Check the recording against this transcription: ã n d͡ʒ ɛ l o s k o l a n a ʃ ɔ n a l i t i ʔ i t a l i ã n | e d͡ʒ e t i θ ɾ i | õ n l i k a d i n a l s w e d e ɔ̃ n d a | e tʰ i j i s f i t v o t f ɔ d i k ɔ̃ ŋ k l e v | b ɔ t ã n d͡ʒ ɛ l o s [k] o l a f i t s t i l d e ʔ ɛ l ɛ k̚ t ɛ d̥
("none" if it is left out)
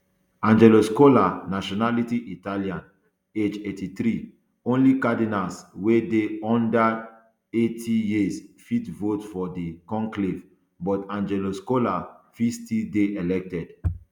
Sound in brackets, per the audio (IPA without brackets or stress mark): k